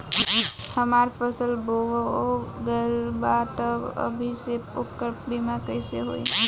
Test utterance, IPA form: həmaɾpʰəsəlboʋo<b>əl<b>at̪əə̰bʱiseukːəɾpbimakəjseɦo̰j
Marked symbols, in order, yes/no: no, yes

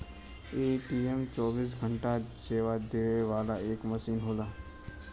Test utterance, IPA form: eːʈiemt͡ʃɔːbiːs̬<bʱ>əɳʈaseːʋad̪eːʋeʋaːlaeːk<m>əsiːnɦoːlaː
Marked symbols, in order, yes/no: no, yes

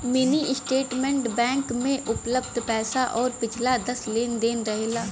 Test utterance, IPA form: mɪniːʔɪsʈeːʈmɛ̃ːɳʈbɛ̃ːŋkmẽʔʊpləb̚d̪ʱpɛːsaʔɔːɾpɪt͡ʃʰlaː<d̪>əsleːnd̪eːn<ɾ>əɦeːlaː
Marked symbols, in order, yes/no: yes, yes

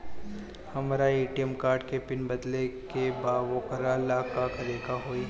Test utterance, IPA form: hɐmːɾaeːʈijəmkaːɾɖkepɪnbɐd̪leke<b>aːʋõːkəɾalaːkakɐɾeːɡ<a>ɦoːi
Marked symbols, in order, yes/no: yes, yes

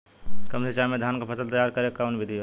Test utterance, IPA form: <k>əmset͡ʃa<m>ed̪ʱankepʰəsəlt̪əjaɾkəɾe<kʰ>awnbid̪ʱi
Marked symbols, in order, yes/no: yes, yes, no

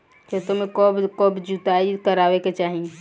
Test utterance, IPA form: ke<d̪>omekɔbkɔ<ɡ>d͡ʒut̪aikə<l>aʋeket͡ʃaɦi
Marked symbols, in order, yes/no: no, no, no

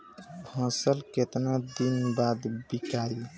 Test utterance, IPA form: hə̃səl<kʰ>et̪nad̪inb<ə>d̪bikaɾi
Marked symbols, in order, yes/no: no, no

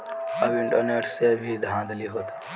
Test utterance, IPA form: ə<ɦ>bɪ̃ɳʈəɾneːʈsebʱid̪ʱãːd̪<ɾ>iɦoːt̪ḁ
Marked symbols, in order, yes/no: no, no

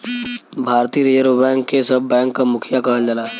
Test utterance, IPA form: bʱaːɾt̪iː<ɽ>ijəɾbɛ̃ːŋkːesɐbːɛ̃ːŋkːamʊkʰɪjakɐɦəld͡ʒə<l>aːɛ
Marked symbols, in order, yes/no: no, yes

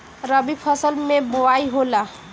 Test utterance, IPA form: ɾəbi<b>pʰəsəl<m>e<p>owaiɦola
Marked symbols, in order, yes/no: no, yes, no

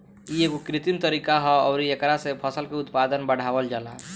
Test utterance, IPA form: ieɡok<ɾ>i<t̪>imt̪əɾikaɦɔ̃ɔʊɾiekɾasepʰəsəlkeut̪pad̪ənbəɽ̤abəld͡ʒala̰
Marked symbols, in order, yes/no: yes, yes

